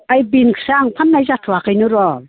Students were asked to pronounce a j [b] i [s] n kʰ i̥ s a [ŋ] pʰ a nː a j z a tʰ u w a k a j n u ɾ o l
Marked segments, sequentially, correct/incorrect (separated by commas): correct, incorrect, correct